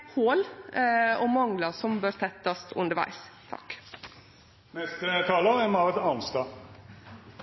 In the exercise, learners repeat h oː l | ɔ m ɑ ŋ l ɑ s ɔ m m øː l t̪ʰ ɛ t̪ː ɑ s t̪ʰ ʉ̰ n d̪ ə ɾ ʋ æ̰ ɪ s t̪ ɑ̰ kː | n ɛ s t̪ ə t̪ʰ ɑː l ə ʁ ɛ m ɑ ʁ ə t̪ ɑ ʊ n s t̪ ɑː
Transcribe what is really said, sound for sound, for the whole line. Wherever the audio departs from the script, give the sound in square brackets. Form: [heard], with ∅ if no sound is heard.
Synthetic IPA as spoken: h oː l | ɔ m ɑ ŋ l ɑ s ɔ m [b] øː [ɾ] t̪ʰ ɛ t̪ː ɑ s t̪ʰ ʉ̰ n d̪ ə ɾ ʋ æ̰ ɪ s [t̪ʰ] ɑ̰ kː | n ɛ s t̪ ə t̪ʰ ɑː l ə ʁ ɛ m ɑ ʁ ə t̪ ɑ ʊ n s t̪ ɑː